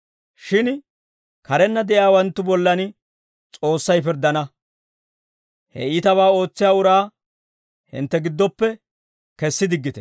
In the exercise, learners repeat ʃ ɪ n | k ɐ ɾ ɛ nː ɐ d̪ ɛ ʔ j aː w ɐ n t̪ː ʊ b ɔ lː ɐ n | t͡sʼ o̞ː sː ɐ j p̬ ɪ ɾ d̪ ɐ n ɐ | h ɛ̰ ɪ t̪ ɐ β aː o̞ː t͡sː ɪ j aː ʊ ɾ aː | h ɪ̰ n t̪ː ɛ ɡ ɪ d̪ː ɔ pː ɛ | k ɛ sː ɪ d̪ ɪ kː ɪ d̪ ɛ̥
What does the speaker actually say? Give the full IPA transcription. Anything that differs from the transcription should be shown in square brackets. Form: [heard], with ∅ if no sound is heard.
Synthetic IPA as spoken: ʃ ɪ n | k ɐ ɾ ɛ nː ɐ d̪ ɛ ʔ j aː w ɐ n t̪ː ʊ b ɔ lː ɐ n | t͡sʼ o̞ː sː ɐ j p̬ ɪ ɾ d̪ ɐ n ɐ | h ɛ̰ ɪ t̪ ɐ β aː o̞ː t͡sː ɪ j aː ʊ ɾ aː | h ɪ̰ n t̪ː ɛ ɡ ɪ d̪ː ɔ pː ɛ | k ɛ sː ɪ d̪ ɪ [ɡː] ɪ [t̪] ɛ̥